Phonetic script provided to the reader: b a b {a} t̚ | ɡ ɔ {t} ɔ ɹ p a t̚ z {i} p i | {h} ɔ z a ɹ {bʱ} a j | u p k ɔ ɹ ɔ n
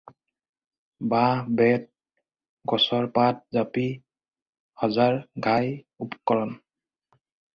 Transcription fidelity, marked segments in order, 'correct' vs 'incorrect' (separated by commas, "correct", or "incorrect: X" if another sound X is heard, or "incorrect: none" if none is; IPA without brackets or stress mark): incorrect: ɛ, incorrect: s, incorrect: a, correct, incorrect: ɡʱ